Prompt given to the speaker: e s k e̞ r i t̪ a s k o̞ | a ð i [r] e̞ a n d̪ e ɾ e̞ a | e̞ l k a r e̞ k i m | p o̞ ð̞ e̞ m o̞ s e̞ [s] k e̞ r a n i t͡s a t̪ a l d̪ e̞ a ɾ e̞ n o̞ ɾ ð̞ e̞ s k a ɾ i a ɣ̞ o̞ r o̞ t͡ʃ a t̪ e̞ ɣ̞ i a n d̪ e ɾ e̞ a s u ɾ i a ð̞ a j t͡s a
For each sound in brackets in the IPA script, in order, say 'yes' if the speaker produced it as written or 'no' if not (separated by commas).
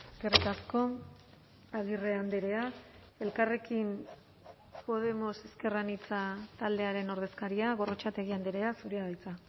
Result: yes, yes